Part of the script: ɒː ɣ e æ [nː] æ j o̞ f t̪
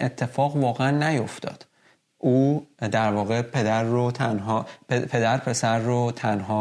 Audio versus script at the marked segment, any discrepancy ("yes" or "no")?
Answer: no